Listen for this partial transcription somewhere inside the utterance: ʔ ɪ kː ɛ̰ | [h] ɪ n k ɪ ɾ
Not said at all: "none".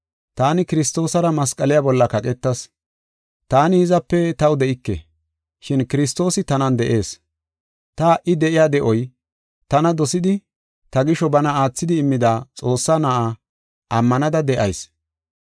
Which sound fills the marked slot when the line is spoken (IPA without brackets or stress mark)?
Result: ʃ